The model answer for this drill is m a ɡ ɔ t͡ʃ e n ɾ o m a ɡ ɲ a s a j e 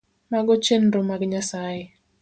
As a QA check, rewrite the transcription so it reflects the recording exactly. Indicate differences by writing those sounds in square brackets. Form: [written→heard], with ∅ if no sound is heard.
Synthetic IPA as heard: m a ɡ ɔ t͡ʃ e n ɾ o m a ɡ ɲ a s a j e